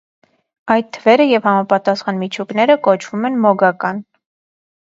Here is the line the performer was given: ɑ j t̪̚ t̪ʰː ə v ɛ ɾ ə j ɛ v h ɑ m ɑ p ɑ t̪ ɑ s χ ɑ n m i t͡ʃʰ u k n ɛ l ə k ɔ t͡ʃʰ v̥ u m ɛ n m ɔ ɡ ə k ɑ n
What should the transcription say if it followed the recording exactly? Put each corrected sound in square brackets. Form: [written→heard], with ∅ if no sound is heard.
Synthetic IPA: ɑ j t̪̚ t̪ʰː ə v ɛ ɾ ə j ɛ v h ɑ m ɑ p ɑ t̪ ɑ s χ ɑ n m i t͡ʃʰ u k n ɛ [l→ɾ] ə k ɔ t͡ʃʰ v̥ u m ɛ n m ɔ ɡ [ə→ɑ] k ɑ n